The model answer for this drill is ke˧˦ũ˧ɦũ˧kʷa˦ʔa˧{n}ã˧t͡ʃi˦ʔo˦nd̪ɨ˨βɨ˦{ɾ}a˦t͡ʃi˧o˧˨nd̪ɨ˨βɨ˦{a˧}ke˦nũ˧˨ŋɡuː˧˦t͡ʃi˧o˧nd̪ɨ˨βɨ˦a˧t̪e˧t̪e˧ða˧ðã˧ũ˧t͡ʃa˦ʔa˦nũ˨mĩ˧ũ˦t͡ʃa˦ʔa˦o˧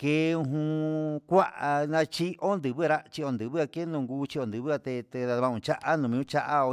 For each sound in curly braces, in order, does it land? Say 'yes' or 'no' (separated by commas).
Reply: yes, yes, yes